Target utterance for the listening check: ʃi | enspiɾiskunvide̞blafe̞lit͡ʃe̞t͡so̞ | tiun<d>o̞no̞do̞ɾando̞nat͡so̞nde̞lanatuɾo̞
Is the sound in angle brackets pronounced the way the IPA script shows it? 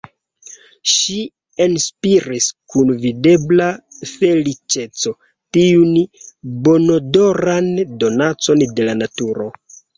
no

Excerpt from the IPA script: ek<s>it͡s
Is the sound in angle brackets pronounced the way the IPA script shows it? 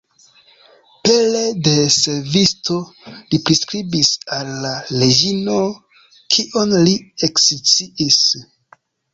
yes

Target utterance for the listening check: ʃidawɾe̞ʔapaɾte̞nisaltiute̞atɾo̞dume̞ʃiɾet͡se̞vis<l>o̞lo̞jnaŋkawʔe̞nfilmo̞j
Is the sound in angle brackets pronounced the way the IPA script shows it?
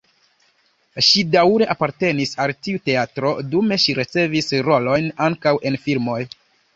no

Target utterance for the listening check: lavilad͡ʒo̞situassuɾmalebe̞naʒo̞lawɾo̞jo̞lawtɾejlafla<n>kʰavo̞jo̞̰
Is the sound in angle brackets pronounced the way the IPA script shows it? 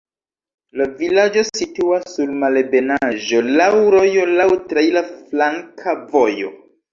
no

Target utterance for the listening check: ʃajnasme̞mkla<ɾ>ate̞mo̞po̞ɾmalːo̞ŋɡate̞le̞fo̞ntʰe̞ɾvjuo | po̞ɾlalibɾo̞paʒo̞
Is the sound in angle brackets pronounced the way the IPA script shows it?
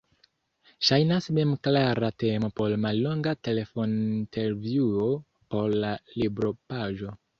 yes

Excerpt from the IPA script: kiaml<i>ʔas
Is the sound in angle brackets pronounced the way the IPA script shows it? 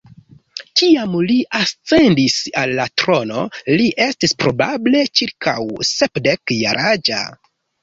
yes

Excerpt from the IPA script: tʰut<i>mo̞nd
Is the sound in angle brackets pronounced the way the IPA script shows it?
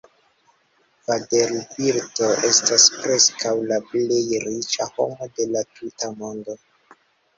no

